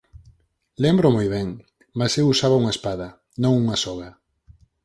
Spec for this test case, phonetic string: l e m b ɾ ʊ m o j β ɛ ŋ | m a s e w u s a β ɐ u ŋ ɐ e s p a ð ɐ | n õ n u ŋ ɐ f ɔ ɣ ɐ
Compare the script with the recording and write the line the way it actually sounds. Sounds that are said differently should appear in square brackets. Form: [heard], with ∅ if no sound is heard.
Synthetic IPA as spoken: l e m b ɾ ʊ m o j β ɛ ŋ | m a s e w u s a β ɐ u ŋ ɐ e s p a ð ɐ | n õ [ŋ] u ŋ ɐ [s] ɔ ɣ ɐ